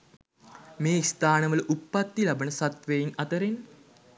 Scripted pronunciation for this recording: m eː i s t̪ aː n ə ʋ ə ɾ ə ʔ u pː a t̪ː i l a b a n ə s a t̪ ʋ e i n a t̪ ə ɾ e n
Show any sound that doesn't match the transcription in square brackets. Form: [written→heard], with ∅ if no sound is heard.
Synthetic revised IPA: m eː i s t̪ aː n ə ʋ ə [ɾ→l] ə ʔ u pː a t̪ː i l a b [a→ə] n ə s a t̪ ʋ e i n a t̪ ə ɾ e n